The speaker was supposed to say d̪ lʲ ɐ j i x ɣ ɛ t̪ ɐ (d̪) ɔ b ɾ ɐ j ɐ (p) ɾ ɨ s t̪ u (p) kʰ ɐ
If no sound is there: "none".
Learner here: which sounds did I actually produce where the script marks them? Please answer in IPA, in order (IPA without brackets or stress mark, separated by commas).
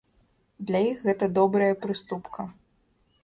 d̪, p, p